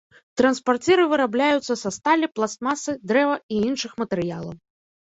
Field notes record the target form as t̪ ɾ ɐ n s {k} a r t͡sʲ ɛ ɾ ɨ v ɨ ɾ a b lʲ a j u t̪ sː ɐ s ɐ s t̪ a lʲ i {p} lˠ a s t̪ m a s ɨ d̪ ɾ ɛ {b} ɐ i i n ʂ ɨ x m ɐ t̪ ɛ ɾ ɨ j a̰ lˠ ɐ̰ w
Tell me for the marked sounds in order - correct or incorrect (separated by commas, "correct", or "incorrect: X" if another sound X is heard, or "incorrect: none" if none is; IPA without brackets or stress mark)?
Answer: incorrect: p, correct, incorrect: v